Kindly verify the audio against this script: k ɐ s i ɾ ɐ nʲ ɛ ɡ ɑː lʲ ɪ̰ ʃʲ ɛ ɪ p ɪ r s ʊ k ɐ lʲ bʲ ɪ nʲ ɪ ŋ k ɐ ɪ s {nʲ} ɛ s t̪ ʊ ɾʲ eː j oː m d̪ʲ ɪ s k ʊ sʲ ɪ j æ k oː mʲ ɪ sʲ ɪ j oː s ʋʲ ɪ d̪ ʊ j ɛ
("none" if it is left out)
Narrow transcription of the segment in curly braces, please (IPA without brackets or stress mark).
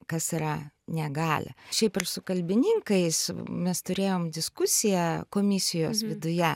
mʲ